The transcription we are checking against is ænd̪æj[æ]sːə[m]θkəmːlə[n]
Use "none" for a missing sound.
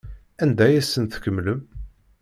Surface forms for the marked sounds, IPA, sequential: æ, n, m

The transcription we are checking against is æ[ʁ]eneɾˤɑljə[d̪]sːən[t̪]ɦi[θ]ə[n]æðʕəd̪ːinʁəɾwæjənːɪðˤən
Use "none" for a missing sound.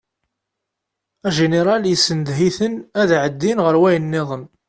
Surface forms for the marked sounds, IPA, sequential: ʒ, none, d̪, θ, n

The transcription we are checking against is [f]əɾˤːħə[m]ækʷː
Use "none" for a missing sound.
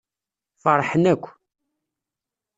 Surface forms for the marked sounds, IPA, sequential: f, n

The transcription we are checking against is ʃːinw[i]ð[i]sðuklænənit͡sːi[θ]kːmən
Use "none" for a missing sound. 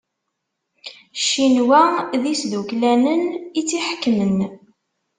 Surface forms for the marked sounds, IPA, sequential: æ, i, ħ

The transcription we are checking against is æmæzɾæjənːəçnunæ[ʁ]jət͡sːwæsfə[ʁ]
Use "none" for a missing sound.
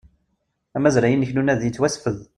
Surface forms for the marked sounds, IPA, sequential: ð, ð

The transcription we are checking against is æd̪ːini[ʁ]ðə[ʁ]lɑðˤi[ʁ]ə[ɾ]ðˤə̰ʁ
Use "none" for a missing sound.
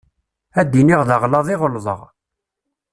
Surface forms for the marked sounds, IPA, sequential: ʁ, ʁ, ʁ, l

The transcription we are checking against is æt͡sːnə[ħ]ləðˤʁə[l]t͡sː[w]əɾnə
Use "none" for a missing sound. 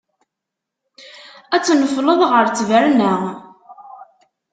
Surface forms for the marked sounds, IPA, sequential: f, ɾ, v

